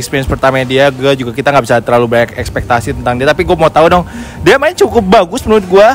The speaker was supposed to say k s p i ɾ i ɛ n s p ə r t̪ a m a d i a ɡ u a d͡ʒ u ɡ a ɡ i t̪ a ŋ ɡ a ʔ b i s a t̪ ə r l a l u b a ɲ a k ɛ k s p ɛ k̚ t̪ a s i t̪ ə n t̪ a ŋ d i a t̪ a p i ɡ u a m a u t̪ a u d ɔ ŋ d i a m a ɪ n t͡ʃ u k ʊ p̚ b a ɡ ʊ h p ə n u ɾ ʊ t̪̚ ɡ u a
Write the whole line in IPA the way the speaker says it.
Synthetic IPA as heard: k s p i ɾ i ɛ n s p ə r t̪ a m a d i a ɡ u a d͡ʒ u ɡ a k i t̪ a ŋ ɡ a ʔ b i s a t̪ ə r l a l u b a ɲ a k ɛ k s p ɛ k̚ t̪ a s i t̪ ə n t̪ a ŋ d i a t̪ a p i ɡ u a m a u t̪ a u d ɔ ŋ d i a m a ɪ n t͡ʃ u k ʊ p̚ b a ɡ ʊ s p ə n u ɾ ʊ t̪̚ ɡ u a